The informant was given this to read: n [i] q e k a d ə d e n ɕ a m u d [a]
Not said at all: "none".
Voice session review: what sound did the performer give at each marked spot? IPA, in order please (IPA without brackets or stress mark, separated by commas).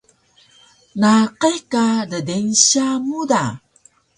a, a